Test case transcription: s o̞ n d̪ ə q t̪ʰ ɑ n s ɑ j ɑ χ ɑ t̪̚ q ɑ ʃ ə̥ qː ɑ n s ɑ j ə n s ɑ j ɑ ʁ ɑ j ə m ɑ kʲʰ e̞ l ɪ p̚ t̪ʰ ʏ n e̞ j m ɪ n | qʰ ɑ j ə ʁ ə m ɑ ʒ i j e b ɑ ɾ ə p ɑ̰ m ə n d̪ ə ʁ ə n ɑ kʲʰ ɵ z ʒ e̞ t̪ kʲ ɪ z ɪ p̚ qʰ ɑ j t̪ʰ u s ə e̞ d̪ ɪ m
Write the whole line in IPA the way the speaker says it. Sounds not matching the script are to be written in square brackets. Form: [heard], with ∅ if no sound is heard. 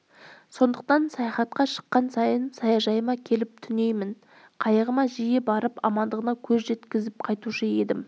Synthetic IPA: s o̞ n d̪ ə q [t̪] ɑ n s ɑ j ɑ χ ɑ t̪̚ q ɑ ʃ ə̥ qː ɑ n s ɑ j ə n s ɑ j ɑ [ʒ] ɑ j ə m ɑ kʲʰ e̞ l ɪ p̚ t̪ʰ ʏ n e̞ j m ɪ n | qʰ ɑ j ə ʁ ə m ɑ ʒ i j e b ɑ ɾ ə p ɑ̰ m [ɑ] n d̪ ə ʁ ə n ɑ kʲʰ ɵ z ʒ e̞ t̪ kʲ ɪ z ɪ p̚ qʰ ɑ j [t̪] u [ʃ] ə e̞ d̪ ɪ m

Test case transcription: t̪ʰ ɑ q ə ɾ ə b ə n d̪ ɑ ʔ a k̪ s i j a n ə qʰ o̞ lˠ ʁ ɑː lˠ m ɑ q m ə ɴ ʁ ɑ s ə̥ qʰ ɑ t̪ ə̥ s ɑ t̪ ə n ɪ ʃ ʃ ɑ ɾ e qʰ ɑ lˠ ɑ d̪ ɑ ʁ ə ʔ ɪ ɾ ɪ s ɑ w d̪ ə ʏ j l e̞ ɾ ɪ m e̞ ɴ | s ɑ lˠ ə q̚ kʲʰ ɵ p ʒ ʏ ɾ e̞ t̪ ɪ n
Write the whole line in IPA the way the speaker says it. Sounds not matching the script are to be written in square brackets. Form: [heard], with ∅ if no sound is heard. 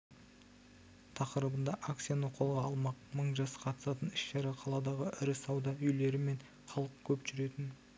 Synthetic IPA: t̪ʰ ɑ q ə ɾ ə b ə n d̪ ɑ ʔ a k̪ s i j a n ə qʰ o̞ lˠ ʁ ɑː lˠ m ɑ q m ə ɴ [ʒ] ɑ s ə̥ qʰ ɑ t̪ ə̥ s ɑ t̪ ə n ɪ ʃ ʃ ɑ ɾ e qʰ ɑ lˠ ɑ d̪ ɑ ʁ ə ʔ ɪ ɾ ɪ s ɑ w d̪ [ɑ] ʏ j l e̞ ɾ ɪ m e̞ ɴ | [χ] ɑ lˠ ə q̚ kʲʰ ɵ p ʒ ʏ ɾ e̞ t̪ ɪ n

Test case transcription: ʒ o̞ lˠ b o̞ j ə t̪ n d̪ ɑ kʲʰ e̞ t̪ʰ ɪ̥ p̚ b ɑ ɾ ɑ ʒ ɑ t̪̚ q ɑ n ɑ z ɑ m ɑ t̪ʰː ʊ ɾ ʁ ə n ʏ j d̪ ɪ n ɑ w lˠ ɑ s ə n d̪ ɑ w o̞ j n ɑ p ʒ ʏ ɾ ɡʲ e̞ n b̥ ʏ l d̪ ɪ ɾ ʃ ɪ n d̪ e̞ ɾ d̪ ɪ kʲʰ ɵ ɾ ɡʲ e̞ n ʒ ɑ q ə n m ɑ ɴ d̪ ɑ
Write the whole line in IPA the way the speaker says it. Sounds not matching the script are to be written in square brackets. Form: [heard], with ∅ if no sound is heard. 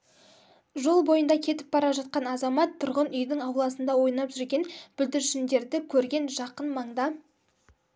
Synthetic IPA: ʒ o̞ lˠ b o̞ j ə [∅] n d̪ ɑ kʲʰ e̞ [t̪] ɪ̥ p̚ b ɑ ɾ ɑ ʒ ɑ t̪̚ q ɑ n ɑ z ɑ m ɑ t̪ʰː ʊ ɾ ʁ ə n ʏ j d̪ ɪ [ŋ] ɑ w lˠ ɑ s ə n d̪ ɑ w o̞ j n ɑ p ʒ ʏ ɾ ɡʲ e̞ n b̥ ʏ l d̪ ɪ ɾ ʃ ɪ n d̪ e̞ ɾ d̪ ɪ kʲʰ ɵ ɾ ɡʲ e̞ n ʒ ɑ q ə n m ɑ ɴ d̪ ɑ

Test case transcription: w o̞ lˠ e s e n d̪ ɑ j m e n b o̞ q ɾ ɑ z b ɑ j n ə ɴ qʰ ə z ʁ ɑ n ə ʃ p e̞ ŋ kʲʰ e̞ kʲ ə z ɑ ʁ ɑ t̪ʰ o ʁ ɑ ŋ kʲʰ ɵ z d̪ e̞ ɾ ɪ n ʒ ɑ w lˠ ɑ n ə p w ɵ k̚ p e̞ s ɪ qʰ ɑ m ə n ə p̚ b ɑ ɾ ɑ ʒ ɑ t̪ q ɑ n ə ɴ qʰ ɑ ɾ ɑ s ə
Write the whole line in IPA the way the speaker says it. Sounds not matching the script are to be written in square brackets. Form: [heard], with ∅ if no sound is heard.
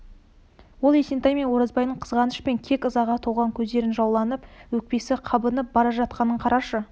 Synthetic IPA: w o̞ lˠ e s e n [t̪] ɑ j m e n [w] o̞ [∅] ɾ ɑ z b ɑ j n ə ɴ qʰ ə z ʁ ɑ n ə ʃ p e̞ ŋ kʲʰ e̞ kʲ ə z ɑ ʁ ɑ t̪ʰ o ʁ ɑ ŋ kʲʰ ɵ z d̪ e̞ ɾ ɪ n ʒ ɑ w lˠ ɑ n ə p w ɵ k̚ p e̞ s ɪ qʰ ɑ [b] ə n ə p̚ b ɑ ɾ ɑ ʒ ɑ t̪ q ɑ n ə ɴ qʰ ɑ ɾ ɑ [ʃ] ə

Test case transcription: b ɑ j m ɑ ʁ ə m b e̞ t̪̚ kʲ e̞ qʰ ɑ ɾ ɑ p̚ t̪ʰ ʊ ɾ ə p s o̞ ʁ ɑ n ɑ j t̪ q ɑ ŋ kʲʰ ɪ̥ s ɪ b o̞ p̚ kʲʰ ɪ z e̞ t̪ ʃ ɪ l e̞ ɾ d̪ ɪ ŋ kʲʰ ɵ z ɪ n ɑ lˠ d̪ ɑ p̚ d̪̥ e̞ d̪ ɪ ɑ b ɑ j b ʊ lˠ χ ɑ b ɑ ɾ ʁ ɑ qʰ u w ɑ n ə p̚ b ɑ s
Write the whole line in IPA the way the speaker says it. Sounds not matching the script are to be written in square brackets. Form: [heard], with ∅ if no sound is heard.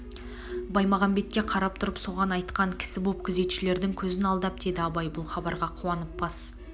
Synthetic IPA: b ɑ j m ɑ ʁ [ɑ] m b e̞ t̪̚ kʲ e̞ qʰ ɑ ɾ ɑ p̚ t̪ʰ ʊ ɾ ə p s o̞ ʁ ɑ n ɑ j t̪ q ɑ ŋ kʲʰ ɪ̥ s ɪ b o̞ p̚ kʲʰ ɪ z e̞ t̪ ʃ ɪ l e̞ ɾ d̪ ɪ ŋ kʲʰ ɵ z ɪ n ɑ lˠ d̪ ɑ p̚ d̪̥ e̞ d̪ ɪ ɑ b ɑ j b ʊ lˠ χ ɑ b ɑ ɾ ʁ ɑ qʰ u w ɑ n ə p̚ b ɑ s

